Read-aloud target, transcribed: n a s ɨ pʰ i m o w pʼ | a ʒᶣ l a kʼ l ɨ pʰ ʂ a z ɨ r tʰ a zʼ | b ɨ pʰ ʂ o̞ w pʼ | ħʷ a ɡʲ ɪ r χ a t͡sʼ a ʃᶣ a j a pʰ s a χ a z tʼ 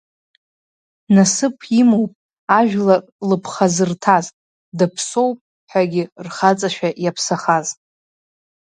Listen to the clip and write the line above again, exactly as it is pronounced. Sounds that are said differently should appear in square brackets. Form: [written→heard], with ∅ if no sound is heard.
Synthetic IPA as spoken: n a s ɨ pʰ i m o w pʼ | a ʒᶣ l a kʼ l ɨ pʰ [ʂ→χ] a z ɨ r tʰ a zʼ | [b→d] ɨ pʰ [ʂ→s] o̞ w pʼ | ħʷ a ɡʲ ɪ r χ a t͡sʼ a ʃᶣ a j a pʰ s a χ a z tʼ